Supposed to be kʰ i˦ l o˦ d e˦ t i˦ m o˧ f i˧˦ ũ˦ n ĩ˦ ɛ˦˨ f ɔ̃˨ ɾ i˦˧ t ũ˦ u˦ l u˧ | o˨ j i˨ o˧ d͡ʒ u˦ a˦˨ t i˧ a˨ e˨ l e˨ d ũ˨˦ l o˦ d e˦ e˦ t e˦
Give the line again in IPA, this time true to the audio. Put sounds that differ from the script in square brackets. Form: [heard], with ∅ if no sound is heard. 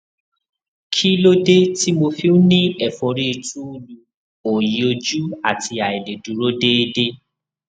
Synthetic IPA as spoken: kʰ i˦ l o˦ d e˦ t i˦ m o˧ f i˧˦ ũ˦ n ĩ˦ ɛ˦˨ f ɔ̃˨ ɾ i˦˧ t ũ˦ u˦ l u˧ | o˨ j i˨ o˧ d͡ʒ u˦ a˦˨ t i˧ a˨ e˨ l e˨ d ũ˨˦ [ɾ] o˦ d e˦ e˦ [d] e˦